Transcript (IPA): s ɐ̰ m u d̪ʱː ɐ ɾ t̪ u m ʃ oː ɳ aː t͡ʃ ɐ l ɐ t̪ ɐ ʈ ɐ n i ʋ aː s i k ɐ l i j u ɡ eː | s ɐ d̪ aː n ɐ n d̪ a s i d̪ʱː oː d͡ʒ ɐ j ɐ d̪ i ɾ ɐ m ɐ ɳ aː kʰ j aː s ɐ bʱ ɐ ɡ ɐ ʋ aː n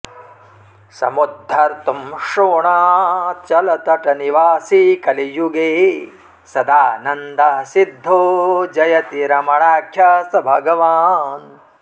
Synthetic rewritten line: s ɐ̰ m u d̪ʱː ɐ ɾ t̪ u m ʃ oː ɳ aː t͡ʃ ɐ l ɐ t̪ ɐ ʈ ɐ n i ʋ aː s i k ɐ l i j u ɡ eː | s ɐ d̪ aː n ɐ n d̪ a s i d̪ʱː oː d͡ʒ ɐ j ɐ t̪ i ɾ ɐ m ɐ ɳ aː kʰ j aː s ɐ bʱ ɐ ɡ ɐ ʋ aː n